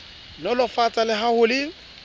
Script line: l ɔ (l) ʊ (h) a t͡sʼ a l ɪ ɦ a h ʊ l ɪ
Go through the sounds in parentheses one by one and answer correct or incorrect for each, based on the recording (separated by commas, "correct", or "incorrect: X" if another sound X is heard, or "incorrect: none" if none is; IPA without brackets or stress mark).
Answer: correct, incorrect: f